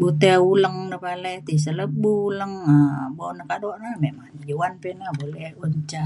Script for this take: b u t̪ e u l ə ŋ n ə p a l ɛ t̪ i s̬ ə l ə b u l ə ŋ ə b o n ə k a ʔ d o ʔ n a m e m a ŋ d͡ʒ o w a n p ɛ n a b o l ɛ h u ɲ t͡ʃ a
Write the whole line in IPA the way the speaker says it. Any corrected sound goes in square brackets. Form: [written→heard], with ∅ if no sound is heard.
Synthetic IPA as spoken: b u t̪ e u l ə ŋ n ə p a l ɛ t̪ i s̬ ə l ə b u l ə ŋ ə b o n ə k a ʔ d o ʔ n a m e m a ŋ d͡ʒ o w a n p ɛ n a b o l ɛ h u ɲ t͡ʃ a

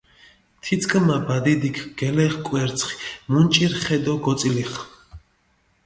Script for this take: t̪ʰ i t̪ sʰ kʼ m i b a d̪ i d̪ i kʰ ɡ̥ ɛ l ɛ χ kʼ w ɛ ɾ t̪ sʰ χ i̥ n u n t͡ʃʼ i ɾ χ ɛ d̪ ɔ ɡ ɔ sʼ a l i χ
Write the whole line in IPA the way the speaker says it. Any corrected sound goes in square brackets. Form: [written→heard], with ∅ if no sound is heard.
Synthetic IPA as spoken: t̪ʰ i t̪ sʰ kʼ m [i→a] b a d̪ i d̪ i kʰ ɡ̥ ɛ l ɛ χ kʼ w ɛ ɾ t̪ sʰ χ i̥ [n→m] u n t͡ʃʼ i ɾ χ ɛ d̪ ɔ ɡ ɔ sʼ [a→i] l i χ

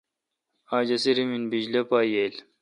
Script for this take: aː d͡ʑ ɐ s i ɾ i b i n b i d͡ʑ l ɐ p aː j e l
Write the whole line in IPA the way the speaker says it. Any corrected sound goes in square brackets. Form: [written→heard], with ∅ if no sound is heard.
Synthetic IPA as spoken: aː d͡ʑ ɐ s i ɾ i [b→m] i n b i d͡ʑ l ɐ p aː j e l

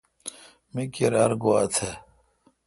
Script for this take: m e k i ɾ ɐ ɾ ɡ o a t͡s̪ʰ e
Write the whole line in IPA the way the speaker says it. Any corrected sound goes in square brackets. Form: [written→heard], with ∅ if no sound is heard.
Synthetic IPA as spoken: m [e→i] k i ɾ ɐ ɾ ɡ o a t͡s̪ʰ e

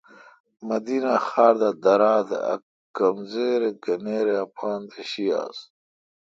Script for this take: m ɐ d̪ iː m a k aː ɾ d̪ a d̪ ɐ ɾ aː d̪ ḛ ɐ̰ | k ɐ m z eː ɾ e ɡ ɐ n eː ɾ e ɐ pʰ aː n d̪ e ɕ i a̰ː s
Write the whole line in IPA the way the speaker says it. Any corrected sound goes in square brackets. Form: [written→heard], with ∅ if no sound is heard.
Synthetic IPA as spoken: m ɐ d̪ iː [m→n] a [k→x] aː ɾ d̪ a d̪ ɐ ɾ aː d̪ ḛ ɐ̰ | k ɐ m z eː ɾ e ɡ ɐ n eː ɾ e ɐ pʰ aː n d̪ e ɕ i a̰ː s

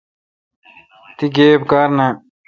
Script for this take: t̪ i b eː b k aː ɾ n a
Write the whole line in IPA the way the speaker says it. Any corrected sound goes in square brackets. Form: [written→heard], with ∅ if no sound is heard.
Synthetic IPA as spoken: t̪ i [b→ɡ] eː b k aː ɾ n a

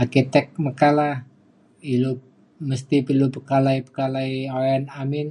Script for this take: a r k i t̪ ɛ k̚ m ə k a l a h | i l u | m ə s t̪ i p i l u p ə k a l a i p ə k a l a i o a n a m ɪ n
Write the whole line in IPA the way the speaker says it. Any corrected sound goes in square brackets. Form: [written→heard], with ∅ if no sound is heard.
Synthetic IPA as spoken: a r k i t̪ ɛ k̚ m ə k a l a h | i l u | m ə s t̪ i p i l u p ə k a l a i p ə k a l a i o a n a m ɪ n

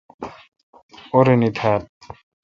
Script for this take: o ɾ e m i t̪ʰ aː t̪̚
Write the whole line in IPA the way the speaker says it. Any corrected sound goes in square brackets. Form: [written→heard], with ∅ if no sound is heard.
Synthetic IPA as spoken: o ɾ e [m→n] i t̪ʰ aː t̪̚

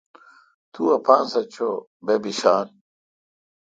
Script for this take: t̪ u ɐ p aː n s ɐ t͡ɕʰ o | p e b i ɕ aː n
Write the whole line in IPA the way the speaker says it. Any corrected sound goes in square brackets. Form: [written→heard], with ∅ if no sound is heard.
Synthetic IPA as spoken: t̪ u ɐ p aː n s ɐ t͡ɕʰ o | [p→b] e b i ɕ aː n

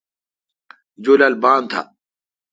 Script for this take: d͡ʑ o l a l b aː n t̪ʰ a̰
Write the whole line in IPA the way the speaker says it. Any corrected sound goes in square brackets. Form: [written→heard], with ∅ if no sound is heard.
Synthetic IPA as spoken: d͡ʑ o l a l b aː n t̪ʰ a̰

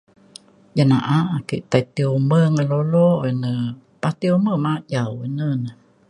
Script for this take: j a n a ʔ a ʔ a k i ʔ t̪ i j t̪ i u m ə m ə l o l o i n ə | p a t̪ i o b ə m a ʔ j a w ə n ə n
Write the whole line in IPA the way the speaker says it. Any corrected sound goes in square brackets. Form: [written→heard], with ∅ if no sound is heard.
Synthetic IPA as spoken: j a n a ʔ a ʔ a k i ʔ t̪ [i→a] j t̪ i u m ə [m→ŋ] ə l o l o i n ə | p a t̪ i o [b→m] ə m a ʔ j a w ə n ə n

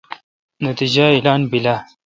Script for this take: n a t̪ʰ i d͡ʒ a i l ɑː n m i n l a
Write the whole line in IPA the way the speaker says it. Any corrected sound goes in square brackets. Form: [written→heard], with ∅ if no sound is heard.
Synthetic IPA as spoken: n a [t̪ʰ→t̪] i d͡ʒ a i l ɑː n [m→b] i [n→∅] l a

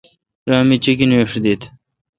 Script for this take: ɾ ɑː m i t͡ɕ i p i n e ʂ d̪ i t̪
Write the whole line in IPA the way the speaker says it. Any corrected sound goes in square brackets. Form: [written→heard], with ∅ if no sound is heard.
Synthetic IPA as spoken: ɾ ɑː m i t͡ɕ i [p→k] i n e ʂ d̪ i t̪

